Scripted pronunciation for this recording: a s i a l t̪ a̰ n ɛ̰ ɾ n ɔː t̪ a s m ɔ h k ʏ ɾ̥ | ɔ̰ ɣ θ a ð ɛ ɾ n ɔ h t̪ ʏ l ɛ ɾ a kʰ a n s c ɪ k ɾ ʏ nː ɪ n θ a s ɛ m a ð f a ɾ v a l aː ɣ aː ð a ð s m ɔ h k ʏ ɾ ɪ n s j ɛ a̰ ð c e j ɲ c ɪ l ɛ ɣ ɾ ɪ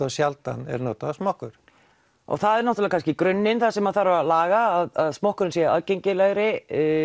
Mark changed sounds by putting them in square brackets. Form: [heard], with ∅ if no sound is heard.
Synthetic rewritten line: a s [j] a l t̪ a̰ n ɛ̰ ɾ n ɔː t̪ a s m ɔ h k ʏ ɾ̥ | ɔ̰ ɣ θ a ð ɛ ɾ n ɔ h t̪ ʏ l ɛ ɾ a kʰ a n s c ɪ k ɾ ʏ nː ɪ n θ a s ɛ m a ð [θ] a ɾ v a l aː ɣ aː ð a ð s m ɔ h k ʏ ɾ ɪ n s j ɛ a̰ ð c e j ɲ c ɪ l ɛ ɣ ɾ ɪ